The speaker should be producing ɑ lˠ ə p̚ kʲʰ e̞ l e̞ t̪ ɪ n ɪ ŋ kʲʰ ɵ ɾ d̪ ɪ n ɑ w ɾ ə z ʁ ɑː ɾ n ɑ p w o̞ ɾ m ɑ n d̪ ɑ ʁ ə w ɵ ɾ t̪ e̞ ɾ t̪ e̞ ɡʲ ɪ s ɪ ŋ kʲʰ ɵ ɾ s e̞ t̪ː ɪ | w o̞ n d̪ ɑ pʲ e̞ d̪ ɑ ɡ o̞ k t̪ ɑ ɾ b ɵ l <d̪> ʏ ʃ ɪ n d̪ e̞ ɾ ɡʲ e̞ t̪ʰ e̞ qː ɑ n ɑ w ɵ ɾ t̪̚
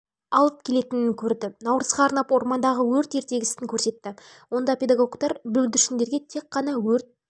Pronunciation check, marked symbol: correct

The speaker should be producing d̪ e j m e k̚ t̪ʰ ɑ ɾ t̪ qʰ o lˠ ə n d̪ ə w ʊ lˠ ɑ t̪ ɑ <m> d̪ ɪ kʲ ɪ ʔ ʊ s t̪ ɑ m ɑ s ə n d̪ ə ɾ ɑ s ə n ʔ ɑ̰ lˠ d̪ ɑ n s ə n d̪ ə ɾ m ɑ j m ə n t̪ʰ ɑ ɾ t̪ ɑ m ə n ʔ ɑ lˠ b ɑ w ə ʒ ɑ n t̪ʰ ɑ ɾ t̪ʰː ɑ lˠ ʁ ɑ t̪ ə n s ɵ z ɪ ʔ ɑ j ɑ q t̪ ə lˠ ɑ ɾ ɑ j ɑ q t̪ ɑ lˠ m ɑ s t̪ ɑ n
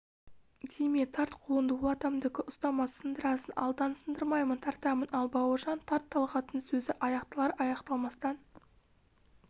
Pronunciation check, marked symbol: correct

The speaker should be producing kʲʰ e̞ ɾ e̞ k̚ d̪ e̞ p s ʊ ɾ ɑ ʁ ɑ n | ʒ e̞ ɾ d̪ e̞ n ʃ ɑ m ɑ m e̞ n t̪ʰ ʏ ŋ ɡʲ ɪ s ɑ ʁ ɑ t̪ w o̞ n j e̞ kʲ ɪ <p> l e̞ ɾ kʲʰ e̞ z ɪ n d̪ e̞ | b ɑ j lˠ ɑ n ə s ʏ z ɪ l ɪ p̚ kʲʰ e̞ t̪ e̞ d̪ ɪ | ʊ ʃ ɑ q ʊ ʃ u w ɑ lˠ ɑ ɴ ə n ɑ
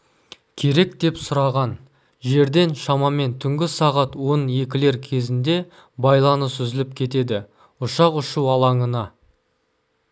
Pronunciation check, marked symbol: incorrect: none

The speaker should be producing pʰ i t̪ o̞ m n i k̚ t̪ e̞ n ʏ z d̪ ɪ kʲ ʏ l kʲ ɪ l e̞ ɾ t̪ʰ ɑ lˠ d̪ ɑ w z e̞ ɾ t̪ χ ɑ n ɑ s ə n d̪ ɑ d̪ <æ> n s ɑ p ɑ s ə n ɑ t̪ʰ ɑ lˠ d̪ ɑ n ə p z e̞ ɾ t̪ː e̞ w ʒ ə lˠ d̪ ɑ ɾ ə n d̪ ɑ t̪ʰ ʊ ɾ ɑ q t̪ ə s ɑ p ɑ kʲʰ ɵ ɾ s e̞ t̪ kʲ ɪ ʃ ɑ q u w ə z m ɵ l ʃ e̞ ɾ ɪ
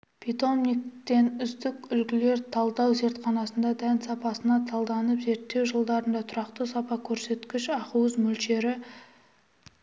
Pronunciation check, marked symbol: correct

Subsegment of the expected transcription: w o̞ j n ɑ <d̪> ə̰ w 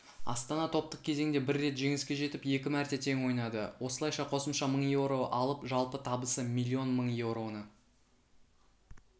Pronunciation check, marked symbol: correct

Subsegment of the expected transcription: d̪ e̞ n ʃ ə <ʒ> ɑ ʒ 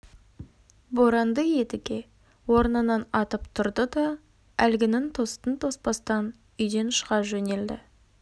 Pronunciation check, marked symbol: incorrect: ʁ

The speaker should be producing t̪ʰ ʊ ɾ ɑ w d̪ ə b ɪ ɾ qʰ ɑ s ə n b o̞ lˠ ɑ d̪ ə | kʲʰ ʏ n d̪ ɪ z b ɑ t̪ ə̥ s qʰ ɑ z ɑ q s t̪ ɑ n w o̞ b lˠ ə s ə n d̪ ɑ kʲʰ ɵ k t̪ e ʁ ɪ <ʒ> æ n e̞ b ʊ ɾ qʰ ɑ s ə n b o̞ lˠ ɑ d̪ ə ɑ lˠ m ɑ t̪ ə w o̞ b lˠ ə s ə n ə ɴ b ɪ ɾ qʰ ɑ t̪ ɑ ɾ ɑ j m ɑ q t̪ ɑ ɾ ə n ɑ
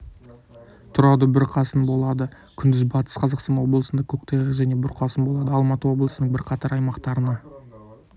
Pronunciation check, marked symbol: correct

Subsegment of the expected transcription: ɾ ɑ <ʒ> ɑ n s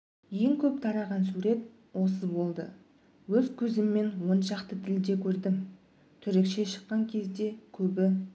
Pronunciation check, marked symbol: incorrect: ʁ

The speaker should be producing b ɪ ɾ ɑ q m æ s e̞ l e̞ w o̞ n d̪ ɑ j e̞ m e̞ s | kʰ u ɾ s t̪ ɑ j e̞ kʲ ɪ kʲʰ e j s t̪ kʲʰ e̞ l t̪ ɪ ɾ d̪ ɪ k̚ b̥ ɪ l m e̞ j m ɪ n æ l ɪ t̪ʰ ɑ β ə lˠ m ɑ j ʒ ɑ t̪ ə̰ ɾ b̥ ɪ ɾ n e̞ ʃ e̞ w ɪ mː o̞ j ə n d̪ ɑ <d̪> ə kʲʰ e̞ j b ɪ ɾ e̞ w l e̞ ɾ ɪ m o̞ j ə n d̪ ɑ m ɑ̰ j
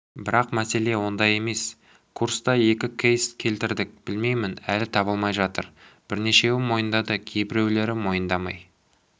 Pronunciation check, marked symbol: correct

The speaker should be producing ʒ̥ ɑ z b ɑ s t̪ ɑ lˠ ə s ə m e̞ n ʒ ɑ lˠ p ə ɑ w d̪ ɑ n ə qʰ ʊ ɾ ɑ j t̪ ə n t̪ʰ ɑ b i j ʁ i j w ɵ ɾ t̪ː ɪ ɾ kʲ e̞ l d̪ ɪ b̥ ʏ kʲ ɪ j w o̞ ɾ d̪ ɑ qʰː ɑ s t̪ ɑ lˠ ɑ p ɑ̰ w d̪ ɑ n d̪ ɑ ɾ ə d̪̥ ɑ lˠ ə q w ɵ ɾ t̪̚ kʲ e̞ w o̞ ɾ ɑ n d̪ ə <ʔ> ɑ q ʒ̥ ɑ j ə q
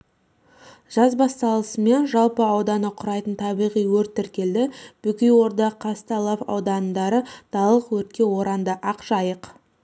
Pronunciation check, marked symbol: correct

